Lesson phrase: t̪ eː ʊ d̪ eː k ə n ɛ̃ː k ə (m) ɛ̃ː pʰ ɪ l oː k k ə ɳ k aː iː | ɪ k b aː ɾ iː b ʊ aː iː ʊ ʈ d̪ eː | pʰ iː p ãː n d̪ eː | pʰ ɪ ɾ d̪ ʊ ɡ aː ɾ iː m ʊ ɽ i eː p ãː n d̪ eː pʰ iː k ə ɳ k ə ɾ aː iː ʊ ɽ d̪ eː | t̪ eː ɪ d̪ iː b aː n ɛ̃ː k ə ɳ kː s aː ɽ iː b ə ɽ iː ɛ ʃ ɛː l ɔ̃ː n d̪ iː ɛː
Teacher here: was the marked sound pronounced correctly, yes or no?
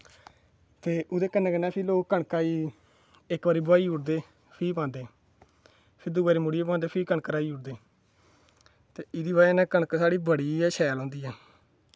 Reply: no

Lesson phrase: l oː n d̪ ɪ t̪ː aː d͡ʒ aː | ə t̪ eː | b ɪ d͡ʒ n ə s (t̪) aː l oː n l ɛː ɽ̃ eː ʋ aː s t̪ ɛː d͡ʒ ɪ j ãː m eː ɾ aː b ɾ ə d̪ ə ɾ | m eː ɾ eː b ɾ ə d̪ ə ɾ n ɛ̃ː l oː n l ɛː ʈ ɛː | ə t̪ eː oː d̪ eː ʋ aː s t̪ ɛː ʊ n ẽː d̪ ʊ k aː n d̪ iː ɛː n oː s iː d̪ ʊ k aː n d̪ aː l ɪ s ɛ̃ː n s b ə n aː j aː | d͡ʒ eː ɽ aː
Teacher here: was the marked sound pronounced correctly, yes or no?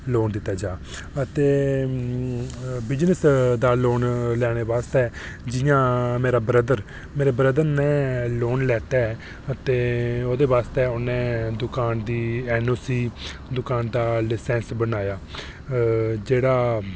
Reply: no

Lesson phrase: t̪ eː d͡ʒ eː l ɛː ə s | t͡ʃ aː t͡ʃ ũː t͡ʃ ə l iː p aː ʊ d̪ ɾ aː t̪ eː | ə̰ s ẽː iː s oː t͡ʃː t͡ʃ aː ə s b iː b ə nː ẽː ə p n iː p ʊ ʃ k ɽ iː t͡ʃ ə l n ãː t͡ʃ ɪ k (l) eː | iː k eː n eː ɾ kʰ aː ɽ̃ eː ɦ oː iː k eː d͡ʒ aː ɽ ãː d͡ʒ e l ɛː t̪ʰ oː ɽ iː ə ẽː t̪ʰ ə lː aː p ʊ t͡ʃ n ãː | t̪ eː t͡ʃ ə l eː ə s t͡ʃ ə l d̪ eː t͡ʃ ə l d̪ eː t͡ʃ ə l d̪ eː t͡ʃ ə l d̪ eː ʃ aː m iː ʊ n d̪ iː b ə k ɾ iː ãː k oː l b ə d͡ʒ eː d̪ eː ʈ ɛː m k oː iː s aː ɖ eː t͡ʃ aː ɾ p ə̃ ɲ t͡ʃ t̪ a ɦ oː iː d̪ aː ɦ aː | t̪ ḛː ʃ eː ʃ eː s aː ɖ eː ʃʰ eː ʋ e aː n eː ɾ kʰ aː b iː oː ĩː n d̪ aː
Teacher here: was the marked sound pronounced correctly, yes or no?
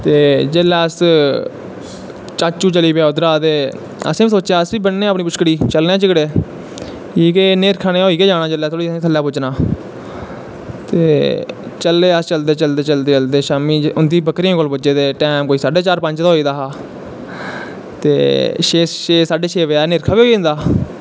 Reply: no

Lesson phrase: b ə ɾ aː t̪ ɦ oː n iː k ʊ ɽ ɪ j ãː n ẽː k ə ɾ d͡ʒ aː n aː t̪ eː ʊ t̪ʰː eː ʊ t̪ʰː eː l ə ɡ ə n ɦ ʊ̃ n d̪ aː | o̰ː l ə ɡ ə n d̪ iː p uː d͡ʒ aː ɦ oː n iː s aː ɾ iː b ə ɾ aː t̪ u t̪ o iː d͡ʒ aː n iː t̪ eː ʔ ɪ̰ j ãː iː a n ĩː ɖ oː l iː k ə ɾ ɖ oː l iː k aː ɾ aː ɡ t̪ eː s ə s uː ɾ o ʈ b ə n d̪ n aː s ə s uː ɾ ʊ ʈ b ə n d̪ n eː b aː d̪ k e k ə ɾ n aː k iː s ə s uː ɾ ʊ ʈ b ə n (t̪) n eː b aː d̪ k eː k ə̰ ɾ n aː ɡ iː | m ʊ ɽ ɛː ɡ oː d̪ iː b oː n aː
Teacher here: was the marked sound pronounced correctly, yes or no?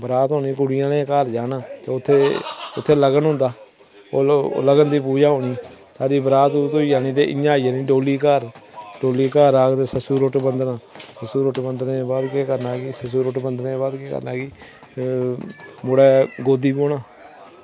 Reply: no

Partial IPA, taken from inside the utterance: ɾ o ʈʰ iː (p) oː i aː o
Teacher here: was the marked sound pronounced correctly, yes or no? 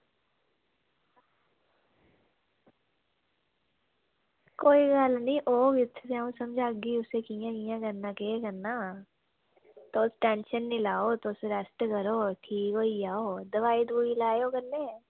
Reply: no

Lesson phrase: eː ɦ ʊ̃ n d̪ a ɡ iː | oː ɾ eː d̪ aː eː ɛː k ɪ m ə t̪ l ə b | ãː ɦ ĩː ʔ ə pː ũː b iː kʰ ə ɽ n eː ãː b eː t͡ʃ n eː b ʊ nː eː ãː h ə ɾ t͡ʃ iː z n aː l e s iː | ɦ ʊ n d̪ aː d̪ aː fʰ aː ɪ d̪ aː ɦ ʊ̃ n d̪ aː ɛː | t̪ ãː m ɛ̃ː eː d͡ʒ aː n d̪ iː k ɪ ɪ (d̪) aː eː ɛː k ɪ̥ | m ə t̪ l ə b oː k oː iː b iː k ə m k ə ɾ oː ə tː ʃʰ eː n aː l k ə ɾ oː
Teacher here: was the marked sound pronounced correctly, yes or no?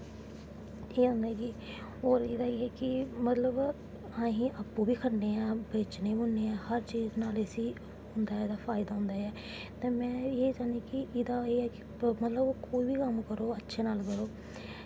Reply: yes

